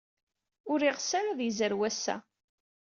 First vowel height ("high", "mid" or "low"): high